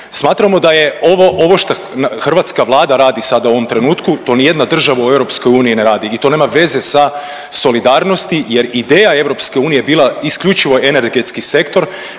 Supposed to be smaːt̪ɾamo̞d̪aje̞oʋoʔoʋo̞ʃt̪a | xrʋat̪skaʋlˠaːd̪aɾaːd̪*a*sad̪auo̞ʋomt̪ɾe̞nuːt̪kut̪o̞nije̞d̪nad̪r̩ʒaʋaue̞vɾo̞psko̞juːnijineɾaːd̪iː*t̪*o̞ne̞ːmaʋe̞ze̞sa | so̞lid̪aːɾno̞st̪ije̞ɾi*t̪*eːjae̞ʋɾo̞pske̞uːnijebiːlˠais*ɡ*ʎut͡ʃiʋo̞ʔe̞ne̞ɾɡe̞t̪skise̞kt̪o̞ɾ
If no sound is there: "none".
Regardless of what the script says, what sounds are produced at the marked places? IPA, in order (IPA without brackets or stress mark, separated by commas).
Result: i, t̪, d̪, k